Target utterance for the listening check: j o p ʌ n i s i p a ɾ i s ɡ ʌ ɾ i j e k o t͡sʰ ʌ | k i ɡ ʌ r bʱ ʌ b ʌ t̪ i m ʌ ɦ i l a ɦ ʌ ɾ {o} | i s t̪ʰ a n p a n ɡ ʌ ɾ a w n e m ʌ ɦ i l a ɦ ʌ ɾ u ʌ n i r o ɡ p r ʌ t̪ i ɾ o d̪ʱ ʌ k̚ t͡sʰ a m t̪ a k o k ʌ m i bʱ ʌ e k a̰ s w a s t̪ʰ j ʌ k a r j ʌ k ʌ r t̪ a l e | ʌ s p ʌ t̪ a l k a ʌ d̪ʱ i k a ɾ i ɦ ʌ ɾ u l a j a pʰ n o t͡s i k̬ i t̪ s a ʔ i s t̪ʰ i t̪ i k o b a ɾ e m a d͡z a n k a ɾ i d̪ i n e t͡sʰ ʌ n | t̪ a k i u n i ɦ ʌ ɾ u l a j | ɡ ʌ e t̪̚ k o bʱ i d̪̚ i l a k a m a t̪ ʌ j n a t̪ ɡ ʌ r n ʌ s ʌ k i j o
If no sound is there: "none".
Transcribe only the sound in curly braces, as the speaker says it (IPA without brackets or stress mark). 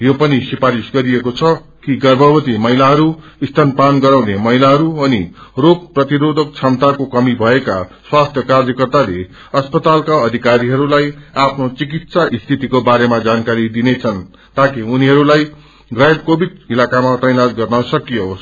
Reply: u